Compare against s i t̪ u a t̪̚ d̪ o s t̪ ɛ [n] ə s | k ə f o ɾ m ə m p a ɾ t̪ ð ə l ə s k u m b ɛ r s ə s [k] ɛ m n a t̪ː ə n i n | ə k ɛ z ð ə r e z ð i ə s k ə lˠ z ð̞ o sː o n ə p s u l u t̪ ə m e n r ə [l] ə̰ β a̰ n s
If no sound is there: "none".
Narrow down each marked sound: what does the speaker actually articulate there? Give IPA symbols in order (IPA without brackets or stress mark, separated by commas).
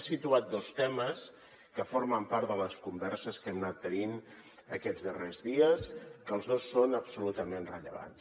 m, k, ʎ